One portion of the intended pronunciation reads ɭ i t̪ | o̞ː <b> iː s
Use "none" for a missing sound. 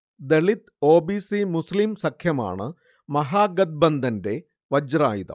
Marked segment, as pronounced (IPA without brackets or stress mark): b